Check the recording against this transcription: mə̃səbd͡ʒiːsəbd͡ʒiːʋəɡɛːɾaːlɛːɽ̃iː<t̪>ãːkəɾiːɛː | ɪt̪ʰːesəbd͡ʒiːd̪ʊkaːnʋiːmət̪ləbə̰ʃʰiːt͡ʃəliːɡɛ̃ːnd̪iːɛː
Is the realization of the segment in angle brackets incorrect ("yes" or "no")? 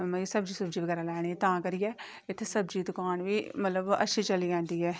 no